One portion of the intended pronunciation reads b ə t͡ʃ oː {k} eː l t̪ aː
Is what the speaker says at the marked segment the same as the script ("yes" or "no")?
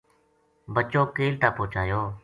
yes